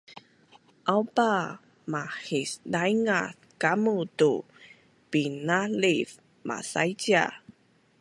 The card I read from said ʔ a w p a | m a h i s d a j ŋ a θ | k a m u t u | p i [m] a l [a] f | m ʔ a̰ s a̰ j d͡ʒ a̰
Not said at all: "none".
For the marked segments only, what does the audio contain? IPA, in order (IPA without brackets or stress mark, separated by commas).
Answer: n, i